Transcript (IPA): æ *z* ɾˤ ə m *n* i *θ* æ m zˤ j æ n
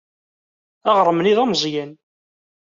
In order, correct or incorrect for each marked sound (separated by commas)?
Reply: incorrect, correct, incorrect